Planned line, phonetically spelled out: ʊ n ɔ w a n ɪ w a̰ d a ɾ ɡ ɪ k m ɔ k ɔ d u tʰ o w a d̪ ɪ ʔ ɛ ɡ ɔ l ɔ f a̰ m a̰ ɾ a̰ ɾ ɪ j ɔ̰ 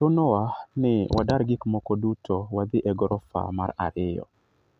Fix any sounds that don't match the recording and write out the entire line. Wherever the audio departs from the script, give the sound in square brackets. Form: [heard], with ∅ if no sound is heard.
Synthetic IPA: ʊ n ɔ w a n ɪ w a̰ d a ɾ ɡ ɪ k m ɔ k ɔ d u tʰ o w a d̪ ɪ ʔ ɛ ɡ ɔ [ɾ] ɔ f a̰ m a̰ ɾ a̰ ɾ ɪ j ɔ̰